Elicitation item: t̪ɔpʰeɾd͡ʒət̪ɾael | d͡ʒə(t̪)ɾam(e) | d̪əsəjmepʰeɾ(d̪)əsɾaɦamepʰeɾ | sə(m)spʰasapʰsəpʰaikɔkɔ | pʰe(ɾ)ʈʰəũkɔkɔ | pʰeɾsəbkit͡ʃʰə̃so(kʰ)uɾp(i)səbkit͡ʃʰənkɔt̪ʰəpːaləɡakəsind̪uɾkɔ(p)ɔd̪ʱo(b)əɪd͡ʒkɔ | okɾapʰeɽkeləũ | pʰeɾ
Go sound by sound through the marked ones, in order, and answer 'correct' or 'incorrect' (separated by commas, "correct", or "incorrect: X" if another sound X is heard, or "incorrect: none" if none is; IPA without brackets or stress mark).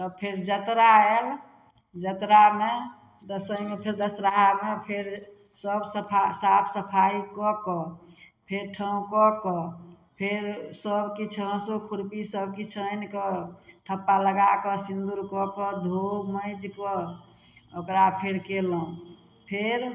correct, correct, correct, incorrect: b, correct, correct, correct, incorrect: k, incorrect: m